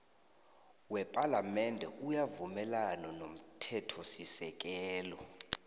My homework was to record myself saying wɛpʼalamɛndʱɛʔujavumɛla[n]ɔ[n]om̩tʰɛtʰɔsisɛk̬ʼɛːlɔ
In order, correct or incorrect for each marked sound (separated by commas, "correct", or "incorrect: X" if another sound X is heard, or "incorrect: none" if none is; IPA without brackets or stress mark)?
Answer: correct, correct